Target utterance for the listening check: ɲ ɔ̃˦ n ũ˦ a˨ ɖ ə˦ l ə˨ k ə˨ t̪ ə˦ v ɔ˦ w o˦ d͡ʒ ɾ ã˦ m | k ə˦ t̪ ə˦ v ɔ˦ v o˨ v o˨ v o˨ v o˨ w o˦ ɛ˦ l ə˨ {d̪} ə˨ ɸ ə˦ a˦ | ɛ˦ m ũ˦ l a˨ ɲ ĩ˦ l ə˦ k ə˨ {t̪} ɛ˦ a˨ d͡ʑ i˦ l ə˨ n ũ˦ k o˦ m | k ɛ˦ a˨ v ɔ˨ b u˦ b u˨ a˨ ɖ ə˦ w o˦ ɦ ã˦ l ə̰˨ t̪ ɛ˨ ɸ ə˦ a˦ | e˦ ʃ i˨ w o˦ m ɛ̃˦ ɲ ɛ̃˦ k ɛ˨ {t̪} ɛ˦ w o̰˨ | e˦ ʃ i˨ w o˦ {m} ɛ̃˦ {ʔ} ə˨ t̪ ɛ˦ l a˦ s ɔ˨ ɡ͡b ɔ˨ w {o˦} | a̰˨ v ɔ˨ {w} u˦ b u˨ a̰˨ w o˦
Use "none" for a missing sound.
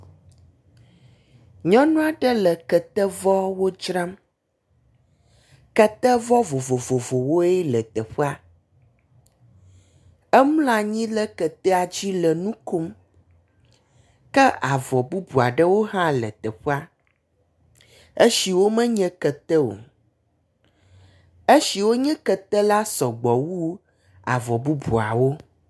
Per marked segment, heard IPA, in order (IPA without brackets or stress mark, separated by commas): t̪, t̪, t̪, ɲ, k, u˦, b